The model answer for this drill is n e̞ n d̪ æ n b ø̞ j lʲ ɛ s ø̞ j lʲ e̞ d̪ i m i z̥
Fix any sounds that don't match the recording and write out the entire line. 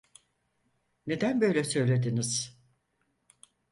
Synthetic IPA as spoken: n e̞ d̪ æ n b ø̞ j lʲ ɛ s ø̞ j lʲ e̞ d̪ i n i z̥